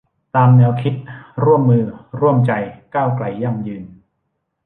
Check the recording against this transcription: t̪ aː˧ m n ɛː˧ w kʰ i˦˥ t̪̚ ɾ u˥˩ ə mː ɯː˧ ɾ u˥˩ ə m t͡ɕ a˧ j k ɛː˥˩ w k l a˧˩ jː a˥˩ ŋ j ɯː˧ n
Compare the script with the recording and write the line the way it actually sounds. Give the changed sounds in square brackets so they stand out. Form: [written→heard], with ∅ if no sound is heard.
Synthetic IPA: t̪ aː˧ m n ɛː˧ w kʰ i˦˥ t̪̚ ɾ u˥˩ ə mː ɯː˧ ɾ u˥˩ ə m t͡ɕ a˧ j k [ɛː˥˩→aː˥˩] w k l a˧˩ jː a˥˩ ŋ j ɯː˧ n